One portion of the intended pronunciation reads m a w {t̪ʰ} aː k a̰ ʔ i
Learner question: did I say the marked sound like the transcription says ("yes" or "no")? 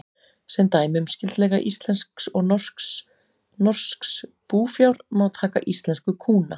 yes